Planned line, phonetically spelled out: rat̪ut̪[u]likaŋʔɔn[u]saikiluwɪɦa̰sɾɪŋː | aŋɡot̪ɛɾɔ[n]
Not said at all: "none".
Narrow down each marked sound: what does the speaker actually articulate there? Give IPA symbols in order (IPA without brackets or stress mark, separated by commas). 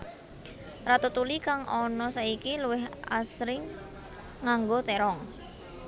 u, ɔ, ŋ